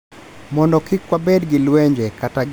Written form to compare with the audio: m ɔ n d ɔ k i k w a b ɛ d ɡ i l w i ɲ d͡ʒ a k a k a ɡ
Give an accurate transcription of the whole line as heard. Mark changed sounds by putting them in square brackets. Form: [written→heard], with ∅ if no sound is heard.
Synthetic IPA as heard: m ɔ n d ɔ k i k w a b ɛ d ɡ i l w [i→ɛ] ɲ d͡ʒ [a→ɛ] k a [k→t] a ɡ